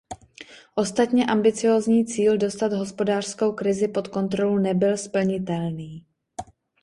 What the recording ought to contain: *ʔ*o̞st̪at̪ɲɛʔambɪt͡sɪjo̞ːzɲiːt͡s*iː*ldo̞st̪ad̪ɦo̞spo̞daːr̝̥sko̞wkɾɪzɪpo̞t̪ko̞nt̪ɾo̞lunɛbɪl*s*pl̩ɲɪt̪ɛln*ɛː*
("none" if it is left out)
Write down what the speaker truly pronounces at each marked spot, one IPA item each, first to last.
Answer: ʔ, iː, s, iː

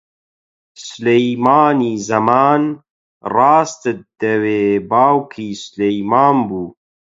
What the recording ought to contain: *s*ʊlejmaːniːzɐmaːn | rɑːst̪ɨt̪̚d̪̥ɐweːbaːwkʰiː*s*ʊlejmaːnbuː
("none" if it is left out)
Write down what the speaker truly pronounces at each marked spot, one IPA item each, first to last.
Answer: s, s

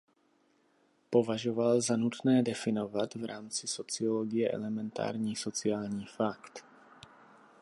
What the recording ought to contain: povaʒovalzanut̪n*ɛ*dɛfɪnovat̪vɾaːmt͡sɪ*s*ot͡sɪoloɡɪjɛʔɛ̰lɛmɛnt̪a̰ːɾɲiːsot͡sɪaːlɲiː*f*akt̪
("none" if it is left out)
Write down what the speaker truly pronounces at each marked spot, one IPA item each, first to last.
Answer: ɛː, s, f

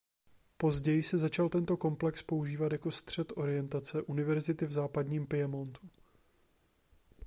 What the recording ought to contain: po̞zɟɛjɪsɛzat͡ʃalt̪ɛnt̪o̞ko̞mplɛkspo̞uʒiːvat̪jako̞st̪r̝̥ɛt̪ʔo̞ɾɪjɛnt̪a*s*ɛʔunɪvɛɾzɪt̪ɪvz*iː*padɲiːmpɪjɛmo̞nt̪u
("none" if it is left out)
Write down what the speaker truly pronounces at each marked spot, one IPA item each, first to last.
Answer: t͡s, aː

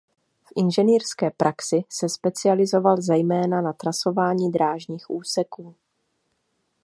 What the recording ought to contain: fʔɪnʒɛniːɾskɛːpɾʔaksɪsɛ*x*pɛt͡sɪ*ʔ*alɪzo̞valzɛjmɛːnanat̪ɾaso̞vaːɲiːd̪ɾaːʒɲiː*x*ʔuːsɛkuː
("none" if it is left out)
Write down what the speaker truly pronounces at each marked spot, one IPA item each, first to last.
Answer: s, none, x

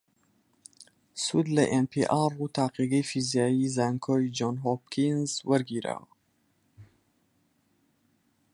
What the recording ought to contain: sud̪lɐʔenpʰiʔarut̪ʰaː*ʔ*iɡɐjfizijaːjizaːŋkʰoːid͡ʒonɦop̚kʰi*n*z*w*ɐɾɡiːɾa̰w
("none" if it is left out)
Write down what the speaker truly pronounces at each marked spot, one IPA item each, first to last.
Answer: q, n, w

